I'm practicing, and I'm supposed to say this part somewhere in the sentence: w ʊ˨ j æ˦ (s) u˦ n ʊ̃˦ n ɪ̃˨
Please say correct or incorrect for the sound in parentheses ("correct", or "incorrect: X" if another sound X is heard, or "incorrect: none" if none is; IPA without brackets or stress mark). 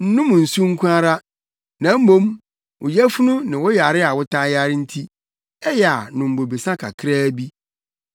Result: incorrect: f